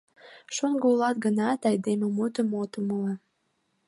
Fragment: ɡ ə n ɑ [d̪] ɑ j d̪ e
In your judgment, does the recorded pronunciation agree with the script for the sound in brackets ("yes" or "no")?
no